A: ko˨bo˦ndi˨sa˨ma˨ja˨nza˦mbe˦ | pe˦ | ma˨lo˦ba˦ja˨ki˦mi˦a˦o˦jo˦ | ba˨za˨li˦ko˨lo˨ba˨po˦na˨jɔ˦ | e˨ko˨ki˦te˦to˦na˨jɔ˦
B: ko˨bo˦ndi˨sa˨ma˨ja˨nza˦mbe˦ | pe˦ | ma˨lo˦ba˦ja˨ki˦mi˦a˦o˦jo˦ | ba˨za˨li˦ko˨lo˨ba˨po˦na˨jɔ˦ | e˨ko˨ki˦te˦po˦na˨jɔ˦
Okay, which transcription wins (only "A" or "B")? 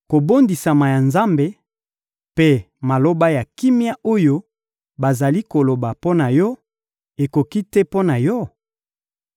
B